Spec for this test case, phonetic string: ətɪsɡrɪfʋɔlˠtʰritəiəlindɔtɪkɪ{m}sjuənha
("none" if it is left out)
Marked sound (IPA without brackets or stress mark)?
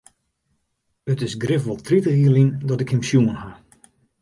m